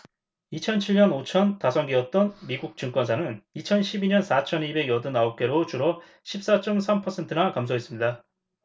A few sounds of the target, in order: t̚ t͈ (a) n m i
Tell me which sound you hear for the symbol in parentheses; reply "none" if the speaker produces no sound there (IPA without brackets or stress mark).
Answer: ʌ